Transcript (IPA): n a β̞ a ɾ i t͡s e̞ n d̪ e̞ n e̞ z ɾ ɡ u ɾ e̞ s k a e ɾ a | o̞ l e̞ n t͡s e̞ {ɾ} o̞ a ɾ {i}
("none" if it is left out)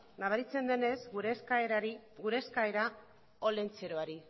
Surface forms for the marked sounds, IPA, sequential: ɾ, i

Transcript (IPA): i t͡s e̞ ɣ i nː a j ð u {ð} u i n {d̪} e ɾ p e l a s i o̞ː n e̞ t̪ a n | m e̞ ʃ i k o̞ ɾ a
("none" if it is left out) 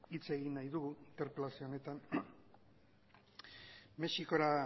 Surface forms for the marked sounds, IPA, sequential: ɣ, t̪

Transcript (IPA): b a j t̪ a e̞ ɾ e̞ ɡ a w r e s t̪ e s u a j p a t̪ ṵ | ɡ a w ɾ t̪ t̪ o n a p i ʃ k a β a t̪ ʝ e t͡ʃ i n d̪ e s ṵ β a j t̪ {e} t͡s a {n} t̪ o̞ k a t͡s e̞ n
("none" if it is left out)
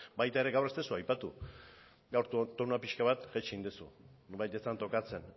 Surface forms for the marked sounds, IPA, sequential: e, n

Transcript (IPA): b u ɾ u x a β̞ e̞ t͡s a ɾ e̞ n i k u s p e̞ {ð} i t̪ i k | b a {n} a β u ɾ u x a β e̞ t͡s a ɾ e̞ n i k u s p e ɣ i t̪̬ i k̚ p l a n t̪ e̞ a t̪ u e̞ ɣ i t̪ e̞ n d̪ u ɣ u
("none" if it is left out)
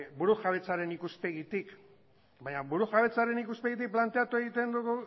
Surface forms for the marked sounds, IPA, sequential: ɣ, ɲ

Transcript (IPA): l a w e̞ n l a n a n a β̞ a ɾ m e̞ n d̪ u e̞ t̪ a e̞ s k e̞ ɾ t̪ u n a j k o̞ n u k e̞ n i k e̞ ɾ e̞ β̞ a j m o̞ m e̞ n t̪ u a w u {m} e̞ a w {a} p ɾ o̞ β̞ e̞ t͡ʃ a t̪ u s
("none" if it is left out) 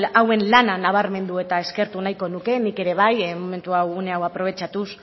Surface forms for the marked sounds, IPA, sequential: n, a

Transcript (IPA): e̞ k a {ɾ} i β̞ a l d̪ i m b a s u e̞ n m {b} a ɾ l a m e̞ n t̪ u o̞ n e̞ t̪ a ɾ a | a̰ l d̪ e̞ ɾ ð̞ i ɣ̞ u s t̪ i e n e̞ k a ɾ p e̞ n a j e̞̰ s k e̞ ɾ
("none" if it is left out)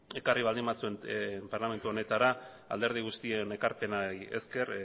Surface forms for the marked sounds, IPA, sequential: r, p

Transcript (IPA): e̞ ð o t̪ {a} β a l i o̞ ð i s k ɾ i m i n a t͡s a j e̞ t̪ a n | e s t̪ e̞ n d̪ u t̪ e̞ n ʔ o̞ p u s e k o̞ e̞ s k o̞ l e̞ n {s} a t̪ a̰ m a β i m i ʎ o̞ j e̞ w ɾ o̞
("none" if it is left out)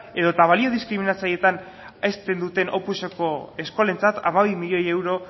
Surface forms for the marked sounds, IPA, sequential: a, t͡s

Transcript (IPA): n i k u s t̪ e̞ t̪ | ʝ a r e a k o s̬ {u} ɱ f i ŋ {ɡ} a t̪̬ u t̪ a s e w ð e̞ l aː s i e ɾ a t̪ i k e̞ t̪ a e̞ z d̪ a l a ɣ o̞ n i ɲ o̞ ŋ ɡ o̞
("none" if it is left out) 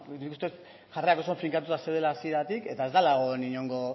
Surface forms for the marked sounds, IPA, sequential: o, k

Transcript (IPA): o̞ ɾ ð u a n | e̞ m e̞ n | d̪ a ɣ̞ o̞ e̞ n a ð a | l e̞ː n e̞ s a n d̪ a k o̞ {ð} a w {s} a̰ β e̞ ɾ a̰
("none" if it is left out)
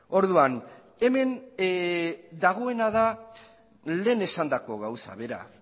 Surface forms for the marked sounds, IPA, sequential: ɣ, s

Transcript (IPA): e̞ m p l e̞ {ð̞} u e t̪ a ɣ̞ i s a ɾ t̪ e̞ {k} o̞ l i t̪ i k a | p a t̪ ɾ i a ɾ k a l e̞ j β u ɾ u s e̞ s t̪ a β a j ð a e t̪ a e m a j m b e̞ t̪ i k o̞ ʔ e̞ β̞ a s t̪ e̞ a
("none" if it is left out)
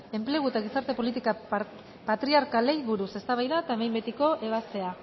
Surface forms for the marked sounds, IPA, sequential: ɣ̞, p

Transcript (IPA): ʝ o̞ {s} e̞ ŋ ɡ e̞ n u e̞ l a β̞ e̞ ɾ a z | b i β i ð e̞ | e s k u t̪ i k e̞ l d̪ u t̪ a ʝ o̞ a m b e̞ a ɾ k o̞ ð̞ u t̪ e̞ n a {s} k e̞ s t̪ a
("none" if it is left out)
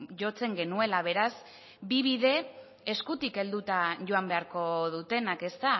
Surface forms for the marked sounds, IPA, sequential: t͡s, none

